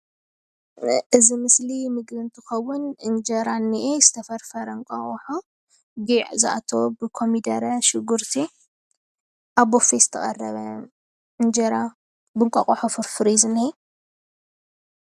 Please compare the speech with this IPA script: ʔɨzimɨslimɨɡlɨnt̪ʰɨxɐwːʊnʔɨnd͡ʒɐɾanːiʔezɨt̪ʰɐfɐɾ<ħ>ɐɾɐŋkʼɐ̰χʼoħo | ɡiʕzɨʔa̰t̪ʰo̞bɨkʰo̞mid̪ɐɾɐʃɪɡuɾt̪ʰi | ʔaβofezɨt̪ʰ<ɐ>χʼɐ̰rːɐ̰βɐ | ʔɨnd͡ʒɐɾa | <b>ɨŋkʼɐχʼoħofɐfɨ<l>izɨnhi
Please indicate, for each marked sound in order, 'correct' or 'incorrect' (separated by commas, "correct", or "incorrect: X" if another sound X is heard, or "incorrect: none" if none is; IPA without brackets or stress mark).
incorrect: f, correct, correct, incorrect: ɾ